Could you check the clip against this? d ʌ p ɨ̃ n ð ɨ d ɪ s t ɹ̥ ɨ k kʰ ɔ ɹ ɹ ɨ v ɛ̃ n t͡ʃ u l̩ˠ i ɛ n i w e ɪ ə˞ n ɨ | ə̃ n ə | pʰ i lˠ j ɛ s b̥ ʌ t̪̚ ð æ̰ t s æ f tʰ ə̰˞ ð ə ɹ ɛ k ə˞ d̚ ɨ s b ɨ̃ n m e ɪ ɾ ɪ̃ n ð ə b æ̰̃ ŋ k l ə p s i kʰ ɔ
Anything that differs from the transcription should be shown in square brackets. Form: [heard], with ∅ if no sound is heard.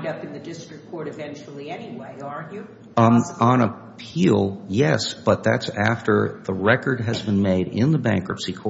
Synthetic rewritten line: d ʌ p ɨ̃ n ð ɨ d ɪ s t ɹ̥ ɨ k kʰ ɔ ɹ [ɾ] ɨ v ɛ̃ n t͡ʃ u l̩ˠ i ɛ n i w e ɪ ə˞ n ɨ | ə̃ n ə | pʰ i lˠ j ɛ s b̥ ʌ t̪̚ ð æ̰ t s æ f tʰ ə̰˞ ð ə ɹ ɛ k ə˞ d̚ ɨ [z] b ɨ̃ n m e ɪ ɾ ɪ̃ n ð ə b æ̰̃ ŋ k [ɹ] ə p s i kʰ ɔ